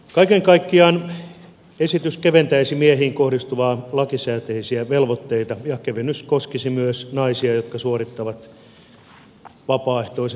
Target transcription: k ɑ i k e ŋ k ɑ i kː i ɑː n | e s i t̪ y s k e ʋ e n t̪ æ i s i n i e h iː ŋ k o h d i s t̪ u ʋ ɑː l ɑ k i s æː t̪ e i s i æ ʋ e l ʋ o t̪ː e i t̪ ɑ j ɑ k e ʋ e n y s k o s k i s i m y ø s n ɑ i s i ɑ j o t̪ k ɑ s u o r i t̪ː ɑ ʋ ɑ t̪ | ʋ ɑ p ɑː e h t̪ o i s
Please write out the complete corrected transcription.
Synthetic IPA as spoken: k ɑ i k e ŋ k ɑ i kː i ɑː n | e s i t̪ y s k e ʋ e n t̪ æ i s i m i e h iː ŋ k o h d i s t̪ u ʋ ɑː l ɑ k i s æː t̪ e i s i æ ʋ e l ʋ o t̪ː e i t̪ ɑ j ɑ k e ʋ e n y s k o s k i s i m y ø s n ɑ i s i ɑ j o t̪ k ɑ s u o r i t̪ː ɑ ʋ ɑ t̪ | ʋ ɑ p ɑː e h t̪ o i s